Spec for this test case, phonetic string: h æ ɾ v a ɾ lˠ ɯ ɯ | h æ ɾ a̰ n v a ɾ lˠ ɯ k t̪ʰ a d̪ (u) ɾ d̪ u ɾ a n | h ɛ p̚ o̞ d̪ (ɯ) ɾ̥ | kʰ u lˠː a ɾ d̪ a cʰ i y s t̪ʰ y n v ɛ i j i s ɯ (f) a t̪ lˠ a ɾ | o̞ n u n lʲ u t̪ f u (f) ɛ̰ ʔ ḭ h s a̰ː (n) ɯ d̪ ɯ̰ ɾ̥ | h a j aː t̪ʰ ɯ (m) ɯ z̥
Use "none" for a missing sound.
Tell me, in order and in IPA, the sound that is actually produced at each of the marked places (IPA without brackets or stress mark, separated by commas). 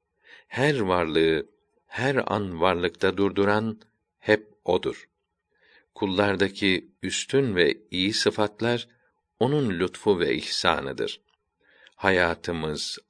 u, u, f, v, n, m